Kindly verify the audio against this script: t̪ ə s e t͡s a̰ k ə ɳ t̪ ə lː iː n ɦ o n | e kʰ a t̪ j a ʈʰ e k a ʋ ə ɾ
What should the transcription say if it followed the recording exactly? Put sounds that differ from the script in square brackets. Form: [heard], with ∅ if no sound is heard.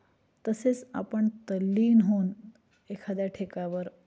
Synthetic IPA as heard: t̪ ə s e t͡s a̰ [p] ə ɳ t̪ ə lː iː n ɦ o n | e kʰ a [d̪] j a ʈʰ e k a ʋ ə ɾ